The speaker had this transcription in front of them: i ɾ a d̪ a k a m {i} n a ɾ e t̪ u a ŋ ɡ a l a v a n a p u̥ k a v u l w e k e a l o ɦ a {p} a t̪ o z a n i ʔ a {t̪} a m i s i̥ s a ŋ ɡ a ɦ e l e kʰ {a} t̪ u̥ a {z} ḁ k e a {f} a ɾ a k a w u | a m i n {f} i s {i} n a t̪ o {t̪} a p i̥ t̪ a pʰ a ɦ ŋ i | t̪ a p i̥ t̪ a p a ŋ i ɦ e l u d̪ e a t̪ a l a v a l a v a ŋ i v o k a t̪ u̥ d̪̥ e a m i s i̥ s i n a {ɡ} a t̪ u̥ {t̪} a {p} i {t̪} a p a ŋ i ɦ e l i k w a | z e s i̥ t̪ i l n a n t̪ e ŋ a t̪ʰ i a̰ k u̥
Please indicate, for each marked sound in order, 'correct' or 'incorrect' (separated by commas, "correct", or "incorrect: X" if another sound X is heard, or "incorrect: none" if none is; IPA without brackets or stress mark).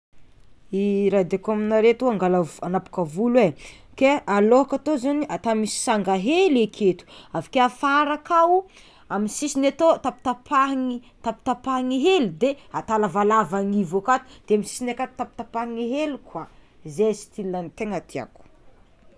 correct, incorrect: k, correct, incorrect: e, incorrect: v, correct, incorrect: s, correct, correct, incorrect: k, correct, correct, correct